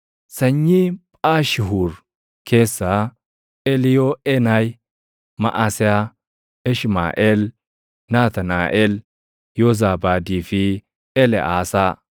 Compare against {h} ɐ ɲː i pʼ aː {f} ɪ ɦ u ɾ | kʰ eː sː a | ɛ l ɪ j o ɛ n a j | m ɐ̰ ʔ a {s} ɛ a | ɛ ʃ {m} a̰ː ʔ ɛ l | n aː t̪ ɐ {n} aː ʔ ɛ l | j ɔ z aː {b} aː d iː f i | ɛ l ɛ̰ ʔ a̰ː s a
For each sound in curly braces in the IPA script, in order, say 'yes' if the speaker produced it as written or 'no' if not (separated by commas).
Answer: no, no, yes, yes, yes, yes